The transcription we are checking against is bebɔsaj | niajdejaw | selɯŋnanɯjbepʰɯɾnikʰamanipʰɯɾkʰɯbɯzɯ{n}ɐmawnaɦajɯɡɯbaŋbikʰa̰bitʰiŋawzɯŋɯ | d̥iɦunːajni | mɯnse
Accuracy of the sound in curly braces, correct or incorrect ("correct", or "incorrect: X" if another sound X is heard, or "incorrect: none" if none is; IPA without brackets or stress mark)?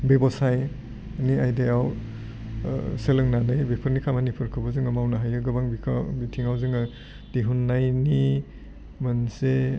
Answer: incorrect: ŋ